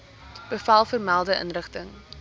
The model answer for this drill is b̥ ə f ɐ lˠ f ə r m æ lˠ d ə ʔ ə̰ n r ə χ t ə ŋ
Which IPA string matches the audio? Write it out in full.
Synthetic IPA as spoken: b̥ ə f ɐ lˠ f ə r m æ lˠ d ə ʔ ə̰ n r ə χ t ə ŋ